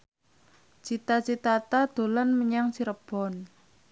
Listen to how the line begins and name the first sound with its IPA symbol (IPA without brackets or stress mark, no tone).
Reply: t͡ʃ